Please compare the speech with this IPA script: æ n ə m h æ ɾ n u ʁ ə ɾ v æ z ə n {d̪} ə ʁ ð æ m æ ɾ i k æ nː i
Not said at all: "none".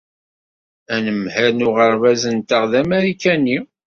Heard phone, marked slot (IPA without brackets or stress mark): t̪